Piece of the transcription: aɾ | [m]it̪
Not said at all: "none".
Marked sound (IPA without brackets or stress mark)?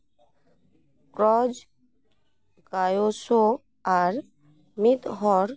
m